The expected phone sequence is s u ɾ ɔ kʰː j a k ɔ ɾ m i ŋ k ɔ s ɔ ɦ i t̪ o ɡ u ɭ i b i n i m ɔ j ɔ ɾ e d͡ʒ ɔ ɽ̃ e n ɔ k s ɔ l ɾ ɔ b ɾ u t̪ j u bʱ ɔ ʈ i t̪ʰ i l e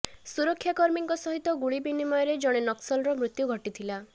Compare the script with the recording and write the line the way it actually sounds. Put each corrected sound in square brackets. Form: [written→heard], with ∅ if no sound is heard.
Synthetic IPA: s u ɾ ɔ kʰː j a k ɔ ɾ m i ŋ k ɔ s ɔ ɦ i t̪ [o→ɔ] ɡ u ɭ i b i n i m ɔ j ɔ ɾ e d͡ʒ ɔ ɽ̃ e n ɔ k s ɔ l ɾ ɔ [b→m] ɾ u t̪ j u [bʱ→ɡʱ] ɔ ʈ i t̪ʰ i l [e→a]